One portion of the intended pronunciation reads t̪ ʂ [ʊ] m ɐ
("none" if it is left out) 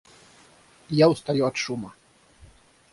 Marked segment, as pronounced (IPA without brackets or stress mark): u